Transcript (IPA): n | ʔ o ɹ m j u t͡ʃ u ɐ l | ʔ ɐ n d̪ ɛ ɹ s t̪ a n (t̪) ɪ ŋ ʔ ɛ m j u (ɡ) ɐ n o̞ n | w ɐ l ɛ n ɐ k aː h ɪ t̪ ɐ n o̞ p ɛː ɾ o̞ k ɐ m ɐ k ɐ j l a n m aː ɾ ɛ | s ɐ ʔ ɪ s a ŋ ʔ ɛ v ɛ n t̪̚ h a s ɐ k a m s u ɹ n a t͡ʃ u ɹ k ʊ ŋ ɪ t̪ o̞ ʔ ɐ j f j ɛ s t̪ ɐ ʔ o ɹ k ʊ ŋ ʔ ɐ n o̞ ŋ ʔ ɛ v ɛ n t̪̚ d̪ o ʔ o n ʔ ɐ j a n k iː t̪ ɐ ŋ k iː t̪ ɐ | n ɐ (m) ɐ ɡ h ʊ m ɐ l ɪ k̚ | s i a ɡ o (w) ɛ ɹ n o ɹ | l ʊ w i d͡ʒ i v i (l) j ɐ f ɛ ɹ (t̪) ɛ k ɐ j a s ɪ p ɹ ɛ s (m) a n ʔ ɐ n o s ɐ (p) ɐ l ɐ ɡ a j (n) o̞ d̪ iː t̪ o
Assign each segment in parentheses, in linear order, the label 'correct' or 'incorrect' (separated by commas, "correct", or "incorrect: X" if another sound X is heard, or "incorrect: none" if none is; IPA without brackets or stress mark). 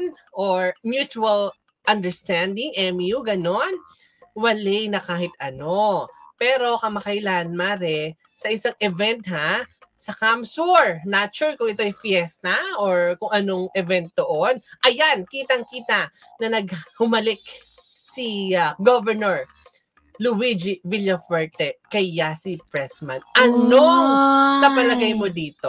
incorrect: d̪, correct, incorrect: n, incorrect: v, correct, correct, correct, correct, incorrect: m